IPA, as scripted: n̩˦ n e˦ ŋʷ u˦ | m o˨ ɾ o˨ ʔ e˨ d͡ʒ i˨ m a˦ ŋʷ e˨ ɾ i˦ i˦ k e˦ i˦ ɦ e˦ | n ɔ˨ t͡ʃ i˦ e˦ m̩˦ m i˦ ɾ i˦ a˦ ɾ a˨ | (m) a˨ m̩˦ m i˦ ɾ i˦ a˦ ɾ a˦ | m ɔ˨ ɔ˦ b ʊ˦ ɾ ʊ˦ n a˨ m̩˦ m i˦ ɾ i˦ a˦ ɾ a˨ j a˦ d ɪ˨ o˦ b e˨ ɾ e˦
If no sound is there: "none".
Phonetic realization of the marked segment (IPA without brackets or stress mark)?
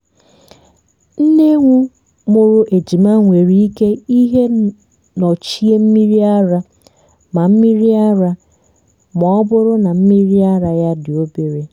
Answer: m